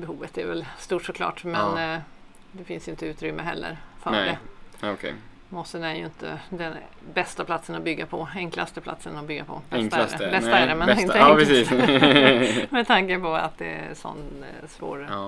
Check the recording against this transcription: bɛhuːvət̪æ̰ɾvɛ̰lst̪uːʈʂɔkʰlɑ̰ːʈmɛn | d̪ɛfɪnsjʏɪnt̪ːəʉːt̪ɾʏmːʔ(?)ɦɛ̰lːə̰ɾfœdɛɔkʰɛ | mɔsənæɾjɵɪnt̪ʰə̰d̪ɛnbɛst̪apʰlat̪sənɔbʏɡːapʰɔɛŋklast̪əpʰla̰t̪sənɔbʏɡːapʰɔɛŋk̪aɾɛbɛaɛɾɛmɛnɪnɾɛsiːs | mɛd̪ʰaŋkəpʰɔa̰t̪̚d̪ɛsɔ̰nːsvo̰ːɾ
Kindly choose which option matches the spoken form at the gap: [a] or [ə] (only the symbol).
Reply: ə